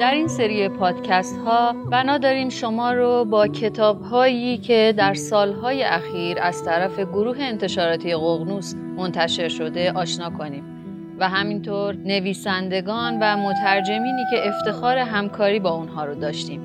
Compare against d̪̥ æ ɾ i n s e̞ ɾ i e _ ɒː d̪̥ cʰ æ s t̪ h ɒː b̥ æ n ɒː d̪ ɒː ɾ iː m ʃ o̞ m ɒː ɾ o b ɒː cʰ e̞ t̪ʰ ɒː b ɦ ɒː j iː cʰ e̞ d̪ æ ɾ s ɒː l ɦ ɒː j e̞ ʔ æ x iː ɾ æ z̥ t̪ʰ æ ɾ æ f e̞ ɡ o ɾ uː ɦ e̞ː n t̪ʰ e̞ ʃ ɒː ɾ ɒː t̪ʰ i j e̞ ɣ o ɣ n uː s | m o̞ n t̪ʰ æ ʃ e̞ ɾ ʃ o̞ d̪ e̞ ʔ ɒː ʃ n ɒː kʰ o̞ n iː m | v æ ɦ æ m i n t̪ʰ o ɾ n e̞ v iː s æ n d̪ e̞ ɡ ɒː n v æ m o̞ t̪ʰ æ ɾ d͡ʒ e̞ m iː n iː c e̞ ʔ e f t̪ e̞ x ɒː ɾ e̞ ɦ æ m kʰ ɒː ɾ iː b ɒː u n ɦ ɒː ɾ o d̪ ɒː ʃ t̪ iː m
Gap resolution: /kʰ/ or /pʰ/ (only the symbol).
pʰ